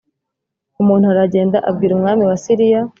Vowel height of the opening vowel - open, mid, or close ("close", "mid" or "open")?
close